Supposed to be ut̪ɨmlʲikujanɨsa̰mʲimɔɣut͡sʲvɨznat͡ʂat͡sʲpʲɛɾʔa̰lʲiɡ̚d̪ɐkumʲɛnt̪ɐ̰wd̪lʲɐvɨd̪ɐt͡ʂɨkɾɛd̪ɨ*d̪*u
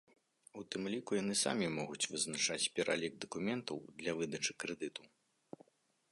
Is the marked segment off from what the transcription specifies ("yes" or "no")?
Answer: yes